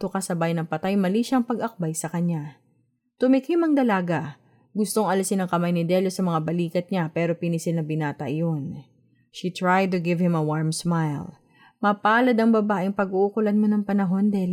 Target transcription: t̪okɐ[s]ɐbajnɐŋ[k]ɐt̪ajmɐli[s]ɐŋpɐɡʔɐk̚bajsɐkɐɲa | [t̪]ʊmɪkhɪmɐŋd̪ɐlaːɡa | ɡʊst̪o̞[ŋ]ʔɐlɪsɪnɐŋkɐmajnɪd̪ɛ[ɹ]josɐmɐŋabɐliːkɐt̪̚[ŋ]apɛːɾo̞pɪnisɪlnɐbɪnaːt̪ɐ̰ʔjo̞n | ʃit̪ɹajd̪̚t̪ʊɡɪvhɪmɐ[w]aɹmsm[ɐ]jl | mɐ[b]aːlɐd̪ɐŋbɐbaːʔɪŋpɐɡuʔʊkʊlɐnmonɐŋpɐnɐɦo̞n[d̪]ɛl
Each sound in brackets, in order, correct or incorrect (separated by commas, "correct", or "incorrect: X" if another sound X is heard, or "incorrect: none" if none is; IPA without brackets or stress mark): correct, incorrect: p, incorrect: ʃ, correct, correct, incorrect: l, incorrect: ɲ, correct, incorrect: a, incorrect: p, correct